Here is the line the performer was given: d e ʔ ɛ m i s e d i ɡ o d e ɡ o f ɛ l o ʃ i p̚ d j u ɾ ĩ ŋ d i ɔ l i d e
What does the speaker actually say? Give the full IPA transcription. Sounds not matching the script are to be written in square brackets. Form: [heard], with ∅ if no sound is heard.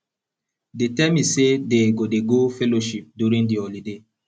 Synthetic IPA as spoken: d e [t] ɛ m i s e d [e] ɡ o d e ɡ o f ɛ l o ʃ i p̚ d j u ɾ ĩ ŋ d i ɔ l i d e